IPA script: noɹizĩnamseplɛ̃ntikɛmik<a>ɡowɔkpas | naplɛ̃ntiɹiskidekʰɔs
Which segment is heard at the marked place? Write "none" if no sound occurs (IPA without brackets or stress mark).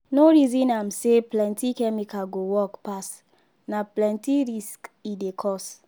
a